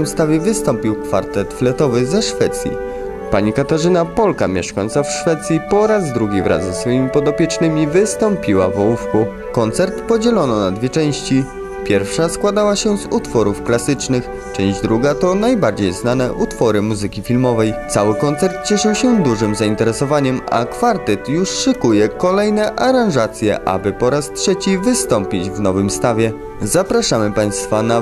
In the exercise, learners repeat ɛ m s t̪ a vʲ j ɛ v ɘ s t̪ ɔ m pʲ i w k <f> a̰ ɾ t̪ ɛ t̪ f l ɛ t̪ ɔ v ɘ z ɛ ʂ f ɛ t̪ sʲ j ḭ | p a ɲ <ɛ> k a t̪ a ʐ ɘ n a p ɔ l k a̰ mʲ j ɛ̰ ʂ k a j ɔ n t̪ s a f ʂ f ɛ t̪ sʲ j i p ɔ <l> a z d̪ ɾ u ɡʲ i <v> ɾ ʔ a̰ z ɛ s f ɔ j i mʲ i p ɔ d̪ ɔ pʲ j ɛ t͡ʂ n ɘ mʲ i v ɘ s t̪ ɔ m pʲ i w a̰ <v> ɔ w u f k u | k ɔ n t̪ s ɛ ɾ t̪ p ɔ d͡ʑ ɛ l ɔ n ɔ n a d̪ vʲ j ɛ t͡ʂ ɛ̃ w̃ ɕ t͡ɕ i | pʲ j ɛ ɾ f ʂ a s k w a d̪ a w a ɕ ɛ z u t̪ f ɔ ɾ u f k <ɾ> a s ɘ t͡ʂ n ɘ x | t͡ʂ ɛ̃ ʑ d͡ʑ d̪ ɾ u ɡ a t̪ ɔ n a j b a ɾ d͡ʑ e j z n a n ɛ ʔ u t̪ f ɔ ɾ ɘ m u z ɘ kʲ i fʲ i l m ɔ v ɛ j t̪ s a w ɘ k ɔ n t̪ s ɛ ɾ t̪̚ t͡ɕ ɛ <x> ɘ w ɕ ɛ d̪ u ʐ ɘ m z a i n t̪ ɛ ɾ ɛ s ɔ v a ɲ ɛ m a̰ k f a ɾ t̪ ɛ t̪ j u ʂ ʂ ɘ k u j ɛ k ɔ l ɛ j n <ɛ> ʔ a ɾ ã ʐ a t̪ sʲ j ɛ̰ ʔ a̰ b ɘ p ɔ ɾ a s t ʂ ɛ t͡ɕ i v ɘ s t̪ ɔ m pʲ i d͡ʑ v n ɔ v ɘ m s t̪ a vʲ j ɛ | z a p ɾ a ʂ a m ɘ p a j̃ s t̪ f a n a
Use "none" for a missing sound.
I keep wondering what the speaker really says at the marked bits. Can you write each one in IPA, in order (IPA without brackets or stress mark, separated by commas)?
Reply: f, i, ɾ, v, v, l, ʂ, ɛ